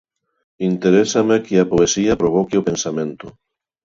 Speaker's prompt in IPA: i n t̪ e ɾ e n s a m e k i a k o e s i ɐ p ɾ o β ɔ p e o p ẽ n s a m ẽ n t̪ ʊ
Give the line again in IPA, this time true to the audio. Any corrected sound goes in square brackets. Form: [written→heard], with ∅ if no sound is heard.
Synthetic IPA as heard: i n t̪ e ɾ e [n→∅] s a m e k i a [k→p] o e s i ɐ p ɾ o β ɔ [p→k] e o p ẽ n s a m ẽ n t̪ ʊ